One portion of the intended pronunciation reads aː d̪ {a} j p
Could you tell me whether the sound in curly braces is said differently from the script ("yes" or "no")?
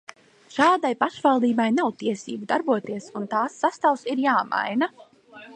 no